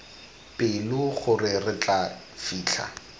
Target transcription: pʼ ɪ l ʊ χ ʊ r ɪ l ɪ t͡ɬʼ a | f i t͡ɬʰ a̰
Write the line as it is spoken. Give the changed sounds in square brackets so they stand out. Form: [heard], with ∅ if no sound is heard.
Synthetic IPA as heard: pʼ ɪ l ʊ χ ʊ r ɪ [r] ɪ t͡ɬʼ a | f [iː] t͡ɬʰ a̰